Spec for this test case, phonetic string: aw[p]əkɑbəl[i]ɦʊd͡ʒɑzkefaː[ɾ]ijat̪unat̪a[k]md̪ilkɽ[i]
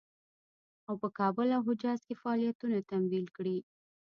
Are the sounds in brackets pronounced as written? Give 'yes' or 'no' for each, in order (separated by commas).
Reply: yes, no, no, no, yes